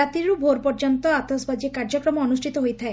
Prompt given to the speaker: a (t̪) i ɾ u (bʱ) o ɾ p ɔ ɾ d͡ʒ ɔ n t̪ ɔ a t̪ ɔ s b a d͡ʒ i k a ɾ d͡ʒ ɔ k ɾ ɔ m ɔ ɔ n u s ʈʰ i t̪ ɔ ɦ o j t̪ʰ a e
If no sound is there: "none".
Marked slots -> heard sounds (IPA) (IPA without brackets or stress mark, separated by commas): t̪, bʱ